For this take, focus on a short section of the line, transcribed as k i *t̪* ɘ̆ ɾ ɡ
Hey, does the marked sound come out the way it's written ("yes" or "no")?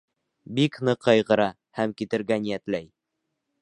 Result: yes